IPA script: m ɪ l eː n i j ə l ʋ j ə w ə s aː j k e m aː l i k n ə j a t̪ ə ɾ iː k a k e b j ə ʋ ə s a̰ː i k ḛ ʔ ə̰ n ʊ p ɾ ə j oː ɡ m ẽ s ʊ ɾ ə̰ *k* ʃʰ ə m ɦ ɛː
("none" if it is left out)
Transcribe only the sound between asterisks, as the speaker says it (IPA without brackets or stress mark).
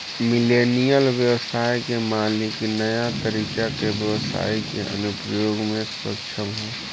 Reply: k